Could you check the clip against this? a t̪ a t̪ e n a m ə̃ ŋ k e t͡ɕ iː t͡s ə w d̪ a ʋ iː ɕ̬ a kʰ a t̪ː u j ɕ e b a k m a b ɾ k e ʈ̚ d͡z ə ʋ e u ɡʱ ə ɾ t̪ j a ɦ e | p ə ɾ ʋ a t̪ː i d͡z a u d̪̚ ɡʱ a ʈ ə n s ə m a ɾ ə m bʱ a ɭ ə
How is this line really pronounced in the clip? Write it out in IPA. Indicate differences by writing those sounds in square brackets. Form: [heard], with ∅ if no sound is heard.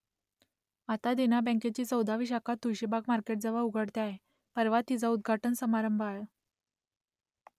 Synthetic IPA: a t̪ a [d̪] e n a [b] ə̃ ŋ k e t͡ɕ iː t͡s ə w d̪ a ʋ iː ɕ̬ a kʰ a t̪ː u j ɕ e b a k m a [∅] ɾ k e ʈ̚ d͡z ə ʋ [a] u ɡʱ ə [ɽ] t̪ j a ɦ e | p ə ɾ ʋ a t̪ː i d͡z a u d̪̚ ɡʱ a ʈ ə n s ə m a ɾ ə m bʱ a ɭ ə

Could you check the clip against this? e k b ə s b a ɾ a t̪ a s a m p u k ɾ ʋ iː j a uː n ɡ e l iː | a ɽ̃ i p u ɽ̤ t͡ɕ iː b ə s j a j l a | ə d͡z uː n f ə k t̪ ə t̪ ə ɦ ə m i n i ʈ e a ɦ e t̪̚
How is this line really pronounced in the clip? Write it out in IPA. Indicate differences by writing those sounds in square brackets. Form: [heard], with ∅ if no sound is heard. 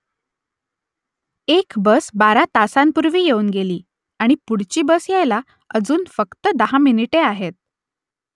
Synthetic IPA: e k b ə s b a ɾ a t̪ a s a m p u [∅] ɾ ʋ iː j [e] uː n ɡ e l iː | a ɽ̃ i p u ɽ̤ t͡ɕ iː b ə s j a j l a | ə d͡z uː n f ə k t̪ ə [d̪] ə ɦ [a] m i n i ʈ e a ɦ e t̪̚

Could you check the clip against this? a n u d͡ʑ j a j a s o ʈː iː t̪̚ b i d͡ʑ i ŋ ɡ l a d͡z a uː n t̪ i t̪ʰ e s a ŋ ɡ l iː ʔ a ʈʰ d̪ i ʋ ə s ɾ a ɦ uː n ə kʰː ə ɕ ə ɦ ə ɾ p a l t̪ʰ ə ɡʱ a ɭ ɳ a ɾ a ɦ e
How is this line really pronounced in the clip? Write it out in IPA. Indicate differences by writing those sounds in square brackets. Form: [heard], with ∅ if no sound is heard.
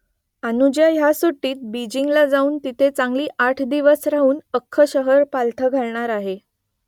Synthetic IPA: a n u d͡ʑ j a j a s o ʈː iː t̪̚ b i d͡ʑ i ŋ ɡ l a d͡z a uː n t̪ i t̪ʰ e [t͡s] a ŋ ɡ l iː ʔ a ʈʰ d̪ i ʋ ə s ɾ a ɦ uː n ə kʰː ə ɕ ə ɦ ə ɾ p a l t̪ʰ ə ɡʱ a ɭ ɳ a ɾ a ɦ e

